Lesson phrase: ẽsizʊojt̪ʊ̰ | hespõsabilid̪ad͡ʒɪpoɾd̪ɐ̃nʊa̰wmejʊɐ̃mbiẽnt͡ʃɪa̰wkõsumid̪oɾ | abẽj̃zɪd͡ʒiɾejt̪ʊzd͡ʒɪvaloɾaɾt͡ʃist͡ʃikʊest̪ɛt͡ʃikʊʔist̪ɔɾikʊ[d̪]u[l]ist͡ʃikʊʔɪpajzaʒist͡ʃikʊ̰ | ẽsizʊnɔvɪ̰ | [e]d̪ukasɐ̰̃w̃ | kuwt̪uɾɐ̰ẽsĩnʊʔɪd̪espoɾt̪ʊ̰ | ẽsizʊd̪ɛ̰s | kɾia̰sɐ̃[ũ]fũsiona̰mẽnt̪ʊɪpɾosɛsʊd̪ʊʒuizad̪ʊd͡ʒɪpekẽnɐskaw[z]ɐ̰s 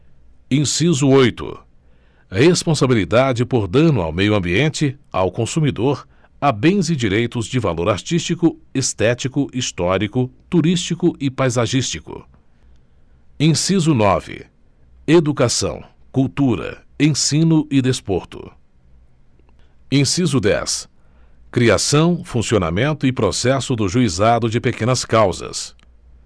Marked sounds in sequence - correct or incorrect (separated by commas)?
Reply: incorrect, incorrect, correct, incorrect, correct